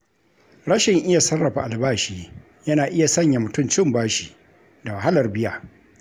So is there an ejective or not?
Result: no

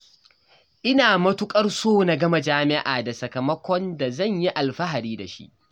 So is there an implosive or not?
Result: no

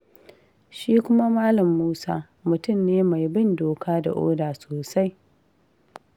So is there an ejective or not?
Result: no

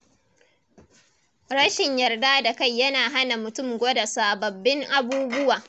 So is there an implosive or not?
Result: no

